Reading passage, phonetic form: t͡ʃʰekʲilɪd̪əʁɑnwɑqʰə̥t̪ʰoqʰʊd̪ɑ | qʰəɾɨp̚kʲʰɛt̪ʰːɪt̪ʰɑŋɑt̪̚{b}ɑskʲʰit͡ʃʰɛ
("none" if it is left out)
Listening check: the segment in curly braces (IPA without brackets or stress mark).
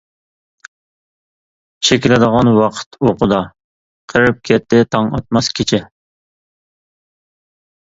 m